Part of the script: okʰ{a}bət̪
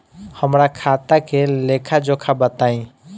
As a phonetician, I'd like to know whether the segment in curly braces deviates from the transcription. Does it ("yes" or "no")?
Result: no